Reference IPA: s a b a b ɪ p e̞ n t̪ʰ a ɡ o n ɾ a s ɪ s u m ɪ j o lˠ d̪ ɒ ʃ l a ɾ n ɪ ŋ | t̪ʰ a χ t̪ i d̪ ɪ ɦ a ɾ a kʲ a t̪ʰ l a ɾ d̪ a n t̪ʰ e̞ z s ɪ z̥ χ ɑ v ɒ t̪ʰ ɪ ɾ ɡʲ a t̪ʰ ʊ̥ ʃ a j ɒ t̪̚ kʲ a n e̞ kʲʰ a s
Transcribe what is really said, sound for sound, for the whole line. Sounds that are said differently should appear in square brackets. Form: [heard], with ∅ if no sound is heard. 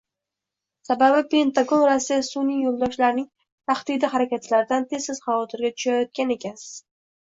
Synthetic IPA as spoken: s a b a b ɪ p e̞ n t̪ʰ a ɡ o n ɾ a s ɪ s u [n] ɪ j o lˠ d̪ ɒ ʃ l a ɾ n ɪ ŋ | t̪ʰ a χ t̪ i d̪ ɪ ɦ a ɾ a kʲ a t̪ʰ l a ɾ d̪ a n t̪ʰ e̞ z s ɪ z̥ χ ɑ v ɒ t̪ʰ ɪ ɾ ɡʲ a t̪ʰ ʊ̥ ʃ a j ɒ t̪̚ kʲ a n e̞ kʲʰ a s